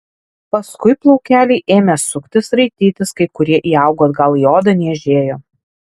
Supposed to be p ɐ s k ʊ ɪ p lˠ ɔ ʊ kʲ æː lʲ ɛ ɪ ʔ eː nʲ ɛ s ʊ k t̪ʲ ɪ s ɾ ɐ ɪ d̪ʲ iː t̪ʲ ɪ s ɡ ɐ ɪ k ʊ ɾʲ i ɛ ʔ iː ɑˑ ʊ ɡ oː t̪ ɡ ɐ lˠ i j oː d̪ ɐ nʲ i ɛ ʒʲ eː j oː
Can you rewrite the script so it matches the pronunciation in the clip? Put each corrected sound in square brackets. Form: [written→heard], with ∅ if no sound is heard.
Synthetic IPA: p ɐ s k ʊ ɪ p lˠ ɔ ʊ kʲ æː lʲ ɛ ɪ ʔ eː [nʲ→mʲ] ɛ s ʊ k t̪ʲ ɪ s ɾ ɐ ɪ [d̪ʲ→t̪ʲ] iː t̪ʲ ɪ s [ɡ→k] ɐ ɪ k ʊ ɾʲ i ɛ ʔ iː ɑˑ ʊ ɡ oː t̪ ɡ ɐ lˠ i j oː d̪ ɐ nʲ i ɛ ʒʲ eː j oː